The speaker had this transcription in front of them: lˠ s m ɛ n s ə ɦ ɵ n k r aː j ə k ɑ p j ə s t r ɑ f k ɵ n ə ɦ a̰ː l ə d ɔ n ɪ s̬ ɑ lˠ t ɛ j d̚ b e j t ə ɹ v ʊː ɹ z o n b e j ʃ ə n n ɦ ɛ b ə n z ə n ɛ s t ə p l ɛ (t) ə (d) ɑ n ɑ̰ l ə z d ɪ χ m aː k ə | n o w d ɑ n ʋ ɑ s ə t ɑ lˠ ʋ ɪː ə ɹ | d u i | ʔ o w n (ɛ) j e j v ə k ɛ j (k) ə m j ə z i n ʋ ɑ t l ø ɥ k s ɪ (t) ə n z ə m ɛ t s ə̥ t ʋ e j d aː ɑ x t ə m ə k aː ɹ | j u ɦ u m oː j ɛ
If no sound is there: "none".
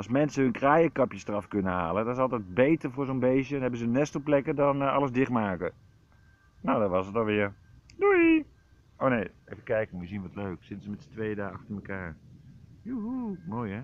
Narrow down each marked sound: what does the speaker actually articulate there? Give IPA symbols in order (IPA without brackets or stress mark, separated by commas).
k, d, e, k, t